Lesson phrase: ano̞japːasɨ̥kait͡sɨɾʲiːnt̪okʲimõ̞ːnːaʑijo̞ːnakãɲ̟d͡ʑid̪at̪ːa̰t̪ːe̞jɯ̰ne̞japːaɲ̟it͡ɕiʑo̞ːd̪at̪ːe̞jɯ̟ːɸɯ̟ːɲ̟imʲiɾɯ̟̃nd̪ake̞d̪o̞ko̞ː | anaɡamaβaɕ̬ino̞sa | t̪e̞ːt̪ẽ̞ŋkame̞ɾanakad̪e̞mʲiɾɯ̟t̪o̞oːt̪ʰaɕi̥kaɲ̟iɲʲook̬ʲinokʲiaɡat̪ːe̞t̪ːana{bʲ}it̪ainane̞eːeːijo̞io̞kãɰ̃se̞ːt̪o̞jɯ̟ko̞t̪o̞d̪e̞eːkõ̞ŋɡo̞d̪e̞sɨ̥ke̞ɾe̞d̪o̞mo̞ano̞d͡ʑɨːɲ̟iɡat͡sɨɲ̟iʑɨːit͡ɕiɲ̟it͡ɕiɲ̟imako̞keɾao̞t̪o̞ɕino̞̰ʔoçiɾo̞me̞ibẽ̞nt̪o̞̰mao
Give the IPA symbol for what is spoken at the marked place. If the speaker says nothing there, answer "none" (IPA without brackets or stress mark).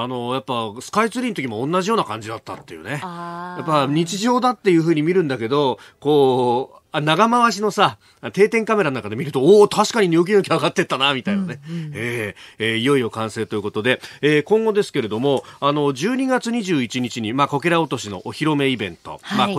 mʲ